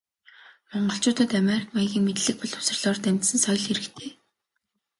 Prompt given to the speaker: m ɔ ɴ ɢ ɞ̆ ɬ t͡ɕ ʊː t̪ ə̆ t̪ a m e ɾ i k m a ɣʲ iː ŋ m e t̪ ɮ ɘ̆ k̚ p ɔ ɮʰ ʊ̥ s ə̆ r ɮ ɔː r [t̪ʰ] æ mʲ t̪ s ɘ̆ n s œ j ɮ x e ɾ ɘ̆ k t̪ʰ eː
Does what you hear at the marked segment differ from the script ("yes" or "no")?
yes